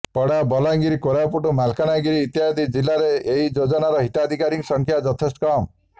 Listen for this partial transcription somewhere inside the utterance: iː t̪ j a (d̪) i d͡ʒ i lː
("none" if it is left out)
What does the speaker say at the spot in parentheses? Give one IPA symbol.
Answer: d̪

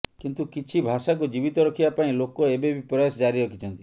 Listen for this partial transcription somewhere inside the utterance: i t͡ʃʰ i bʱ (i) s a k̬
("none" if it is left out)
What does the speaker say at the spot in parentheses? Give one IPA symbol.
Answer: a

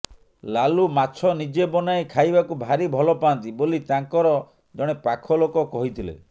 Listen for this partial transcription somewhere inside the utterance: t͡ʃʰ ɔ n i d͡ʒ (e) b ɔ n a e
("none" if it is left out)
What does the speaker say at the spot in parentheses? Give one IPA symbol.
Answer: e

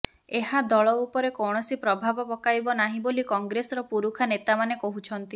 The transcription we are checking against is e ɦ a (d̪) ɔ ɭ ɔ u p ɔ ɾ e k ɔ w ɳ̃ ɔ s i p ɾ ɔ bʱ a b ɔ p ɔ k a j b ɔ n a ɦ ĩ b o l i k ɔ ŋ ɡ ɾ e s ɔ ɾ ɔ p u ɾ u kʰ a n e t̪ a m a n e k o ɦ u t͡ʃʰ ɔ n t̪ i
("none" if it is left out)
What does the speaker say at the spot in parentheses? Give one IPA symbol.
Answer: d̪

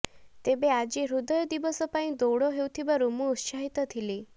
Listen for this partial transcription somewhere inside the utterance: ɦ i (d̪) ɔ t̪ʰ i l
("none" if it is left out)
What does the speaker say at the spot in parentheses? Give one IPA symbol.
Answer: t̪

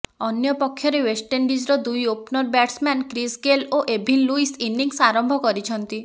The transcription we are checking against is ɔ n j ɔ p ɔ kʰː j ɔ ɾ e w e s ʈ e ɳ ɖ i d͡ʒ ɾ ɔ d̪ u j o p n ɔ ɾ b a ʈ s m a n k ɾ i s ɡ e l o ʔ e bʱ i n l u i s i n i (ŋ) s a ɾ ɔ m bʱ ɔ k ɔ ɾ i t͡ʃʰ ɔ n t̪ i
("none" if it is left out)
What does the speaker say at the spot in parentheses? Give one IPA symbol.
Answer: ŋ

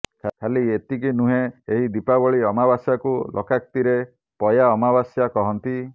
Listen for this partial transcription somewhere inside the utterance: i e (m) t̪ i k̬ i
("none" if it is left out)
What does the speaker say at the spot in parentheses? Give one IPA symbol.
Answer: none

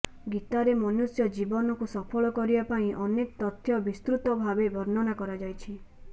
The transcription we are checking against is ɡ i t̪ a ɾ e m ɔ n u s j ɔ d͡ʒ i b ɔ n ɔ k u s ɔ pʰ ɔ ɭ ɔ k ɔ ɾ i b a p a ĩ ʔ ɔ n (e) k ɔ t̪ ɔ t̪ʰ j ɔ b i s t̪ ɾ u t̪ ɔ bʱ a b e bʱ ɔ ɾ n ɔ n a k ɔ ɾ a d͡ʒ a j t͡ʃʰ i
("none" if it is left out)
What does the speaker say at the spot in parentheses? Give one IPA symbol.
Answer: e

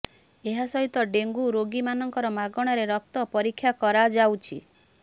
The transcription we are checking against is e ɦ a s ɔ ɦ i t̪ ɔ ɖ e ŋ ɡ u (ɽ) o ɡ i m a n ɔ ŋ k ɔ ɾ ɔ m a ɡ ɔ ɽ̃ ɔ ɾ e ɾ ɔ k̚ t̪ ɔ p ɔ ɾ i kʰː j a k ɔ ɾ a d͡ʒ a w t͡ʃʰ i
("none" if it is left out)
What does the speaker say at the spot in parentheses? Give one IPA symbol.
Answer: ɾ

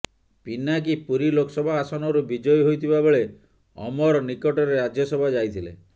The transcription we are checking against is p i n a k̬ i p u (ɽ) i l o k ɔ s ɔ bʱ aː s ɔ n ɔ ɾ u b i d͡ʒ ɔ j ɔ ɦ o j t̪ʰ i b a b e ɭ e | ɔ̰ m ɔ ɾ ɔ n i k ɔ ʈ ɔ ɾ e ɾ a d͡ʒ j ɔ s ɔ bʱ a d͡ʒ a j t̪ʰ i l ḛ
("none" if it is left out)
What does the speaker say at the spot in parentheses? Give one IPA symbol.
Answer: ɾ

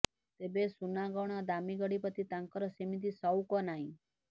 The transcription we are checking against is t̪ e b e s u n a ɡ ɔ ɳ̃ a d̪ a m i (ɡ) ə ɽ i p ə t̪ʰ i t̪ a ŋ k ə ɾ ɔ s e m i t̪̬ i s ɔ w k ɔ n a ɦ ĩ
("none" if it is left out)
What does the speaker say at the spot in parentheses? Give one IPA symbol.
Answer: ɡ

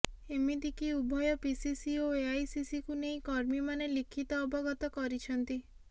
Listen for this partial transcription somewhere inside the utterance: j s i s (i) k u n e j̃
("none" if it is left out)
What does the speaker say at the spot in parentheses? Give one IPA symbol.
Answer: i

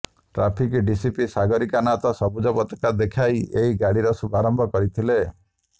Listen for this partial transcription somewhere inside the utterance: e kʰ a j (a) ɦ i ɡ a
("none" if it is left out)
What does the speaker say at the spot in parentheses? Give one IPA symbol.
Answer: e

